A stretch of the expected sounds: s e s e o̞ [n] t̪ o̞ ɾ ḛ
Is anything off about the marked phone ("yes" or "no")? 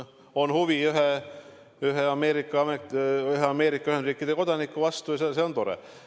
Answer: no